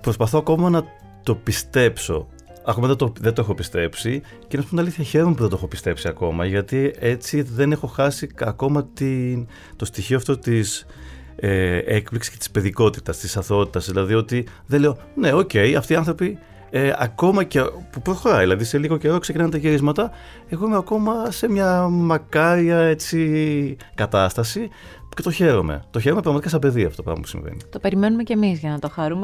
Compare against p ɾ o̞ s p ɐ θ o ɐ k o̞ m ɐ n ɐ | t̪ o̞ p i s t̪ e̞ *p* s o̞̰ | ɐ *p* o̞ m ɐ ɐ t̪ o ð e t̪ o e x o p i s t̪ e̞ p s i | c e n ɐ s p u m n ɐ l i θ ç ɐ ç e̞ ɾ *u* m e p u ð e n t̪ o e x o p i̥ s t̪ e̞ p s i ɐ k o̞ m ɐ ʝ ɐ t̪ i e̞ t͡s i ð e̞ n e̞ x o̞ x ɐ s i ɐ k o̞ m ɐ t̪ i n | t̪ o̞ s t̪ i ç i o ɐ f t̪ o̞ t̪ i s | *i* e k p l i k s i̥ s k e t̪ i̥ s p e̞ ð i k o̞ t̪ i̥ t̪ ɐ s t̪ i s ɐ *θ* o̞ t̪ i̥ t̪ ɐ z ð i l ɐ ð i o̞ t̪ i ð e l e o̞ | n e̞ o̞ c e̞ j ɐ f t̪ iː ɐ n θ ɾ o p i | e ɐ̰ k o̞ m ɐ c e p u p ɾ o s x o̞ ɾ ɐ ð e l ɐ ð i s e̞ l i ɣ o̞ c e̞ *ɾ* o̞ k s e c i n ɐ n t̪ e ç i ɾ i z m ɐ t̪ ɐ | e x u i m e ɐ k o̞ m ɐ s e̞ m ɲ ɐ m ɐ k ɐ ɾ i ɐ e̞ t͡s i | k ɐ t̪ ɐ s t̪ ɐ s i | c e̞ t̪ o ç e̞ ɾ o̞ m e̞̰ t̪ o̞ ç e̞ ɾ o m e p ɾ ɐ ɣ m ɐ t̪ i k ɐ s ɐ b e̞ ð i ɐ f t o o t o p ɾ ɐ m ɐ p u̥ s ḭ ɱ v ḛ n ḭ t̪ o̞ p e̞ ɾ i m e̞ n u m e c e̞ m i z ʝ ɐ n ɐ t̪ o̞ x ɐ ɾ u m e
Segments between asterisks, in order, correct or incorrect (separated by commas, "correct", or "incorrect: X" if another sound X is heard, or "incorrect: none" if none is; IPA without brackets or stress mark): correct, incorrect: k, incorrect: o, incorrect: e, correct, correct